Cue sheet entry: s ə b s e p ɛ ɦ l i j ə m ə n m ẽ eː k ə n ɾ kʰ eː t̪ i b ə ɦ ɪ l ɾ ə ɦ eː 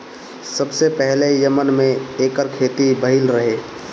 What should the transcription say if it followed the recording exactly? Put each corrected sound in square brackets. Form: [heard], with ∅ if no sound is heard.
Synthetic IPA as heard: s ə b s e p ɛ ɦ l [e] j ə m ə n m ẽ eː k ə [∅] ɾ kʰ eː t̪ i b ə ɦ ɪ l ɾ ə ɦ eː

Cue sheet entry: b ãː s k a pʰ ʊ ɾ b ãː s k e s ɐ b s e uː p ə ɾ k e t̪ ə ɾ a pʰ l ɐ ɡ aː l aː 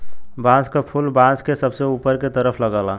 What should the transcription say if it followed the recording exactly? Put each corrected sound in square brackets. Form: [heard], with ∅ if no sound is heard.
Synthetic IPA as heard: b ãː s k a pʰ ʊ [l] b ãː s k e s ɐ b s e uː p ə ɾ k e t̪ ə ɾ [ə] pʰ l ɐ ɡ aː l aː

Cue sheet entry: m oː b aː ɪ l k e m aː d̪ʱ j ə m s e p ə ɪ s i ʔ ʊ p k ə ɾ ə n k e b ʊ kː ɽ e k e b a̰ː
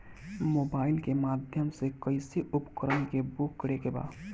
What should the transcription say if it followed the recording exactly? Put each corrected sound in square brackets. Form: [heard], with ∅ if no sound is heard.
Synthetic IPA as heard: m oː b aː ɪ l k e m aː d̪ʱ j ə m s e [k] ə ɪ s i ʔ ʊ p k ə ɾ ə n k e b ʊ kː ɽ e k e b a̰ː

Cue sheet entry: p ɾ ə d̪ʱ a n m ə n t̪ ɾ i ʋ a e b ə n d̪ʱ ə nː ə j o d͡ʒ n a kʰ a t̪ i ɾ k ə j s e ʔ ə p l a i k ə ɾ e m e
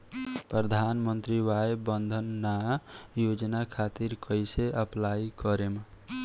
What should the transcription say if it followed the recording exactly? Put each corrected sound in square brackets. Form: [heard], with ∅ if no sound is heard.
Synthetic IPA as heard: p ɾ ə d̪ʱ a n m ə n t̪ ɾ i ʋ a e b ə n d̪ʱ ə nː [a] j o d͡ʒ n a kʰ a t̪ i ɾ k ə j s e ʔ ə p l a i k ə ɾ e m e

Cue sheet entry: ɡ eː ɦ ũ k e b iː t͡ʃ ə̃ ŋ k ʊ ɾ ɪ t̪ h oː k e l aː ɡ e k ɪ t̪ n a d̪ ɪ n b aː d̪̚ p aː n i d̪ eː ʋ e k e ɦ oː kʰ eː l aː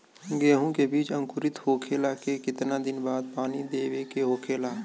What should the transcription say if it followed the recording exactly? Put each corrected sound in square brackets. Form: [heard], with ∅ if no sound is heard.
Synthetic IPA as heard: ɡ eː ɦ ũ k e b iː t͡ʃ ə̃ ŋ k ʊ ɾ ɪ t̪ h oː [kʰ] e l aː [k] e k ɪ t̪ n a d̪ ɪ n b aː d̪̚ p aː n i d̪ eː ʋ e k e ɦ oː kʰ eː l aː

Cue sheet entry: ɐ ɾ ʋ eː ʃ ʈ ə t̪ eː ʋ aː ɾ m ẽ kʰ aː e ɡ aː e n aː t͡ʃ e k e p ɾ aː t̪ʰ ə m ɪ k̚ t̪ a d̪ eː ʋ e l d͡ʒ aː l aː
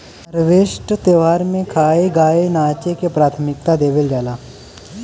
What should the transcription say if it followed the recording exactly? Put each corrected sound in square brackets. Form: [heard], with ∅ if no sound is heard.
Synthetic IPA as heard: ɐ ɾ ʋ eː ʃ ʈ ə t̪ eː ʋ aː ɾ m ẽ kʰ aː e ɡ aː e n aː t͡ʃ e k e p ɾ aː t̪ʰ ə m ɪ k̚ t̪ a d̪ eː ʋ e l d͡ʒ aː l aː

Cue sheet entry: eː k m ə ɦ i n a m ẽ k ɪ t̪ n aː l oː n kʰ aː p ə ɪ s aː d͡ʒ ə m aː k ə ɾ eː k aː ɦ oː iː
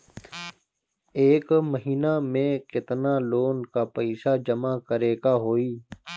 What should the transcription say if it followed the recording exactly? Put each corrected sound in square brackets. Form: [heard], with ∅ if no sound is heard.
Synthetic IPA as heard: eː k m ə ɦ [iː] n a m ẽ k ɪ t̪ n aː l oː n [k] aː p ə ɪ s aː d͡ʒ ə m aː k ə ɾ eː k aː ɦ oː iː

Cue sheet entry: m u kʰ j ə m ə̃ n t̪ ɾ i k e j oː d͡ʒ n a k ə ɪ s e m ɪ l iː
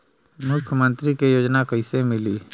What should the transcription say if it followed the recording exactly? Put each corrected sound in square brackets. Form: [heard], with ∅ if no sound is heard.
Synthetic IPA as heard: m [ʊ] kʰ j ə m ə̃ n t̪ ɾ i k e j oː d͡ʒ n a k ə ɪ s e m ɪ l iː

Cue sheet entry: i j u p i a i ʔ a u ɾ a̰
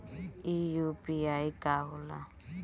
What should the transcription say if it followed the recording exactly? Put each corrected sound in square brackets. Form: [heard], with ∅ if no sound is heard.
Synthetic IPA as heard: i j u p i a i [k] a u [l] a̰

